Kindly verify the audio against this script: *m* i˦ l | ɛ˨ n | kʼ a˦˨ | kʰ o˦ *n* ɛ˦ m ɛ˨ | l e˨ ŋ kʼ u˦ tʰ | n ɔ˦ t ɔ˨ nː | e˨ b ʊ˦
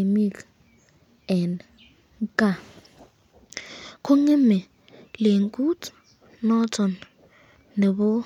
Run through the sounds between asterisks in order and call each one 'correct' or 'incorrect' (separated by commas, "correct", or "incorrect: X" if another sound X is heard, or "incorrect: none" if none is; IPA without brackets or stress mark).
correct, incorrect: ŋ